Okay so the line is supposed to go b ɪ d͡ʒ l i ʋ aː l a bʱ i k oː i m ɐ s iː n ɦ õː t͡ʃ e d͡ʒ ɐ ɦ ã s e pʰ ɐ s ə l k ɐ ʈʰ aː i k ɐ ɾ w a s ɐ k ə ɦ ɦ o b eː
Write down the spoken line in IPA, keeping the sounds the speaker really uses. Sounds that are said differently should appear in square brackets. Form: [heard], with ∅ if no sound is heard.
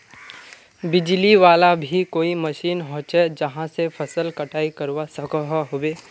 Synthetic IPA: b ɪ d͡ʒ l i ʋ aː l a bʱ i k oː i m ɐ [ʃ] iː n ɦ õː t͡ʃ e d͡ʒ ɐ ɦ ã s e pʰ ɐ s ə l k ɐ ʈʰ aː i k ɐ ɾ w a s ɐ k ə ɦ ɦ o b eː